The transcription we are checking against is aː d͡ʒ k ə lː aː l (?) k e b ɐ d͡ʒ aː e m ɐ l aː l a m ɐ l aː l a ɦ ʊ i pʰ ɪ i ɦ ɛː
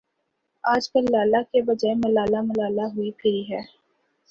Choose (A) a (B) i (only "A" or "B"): A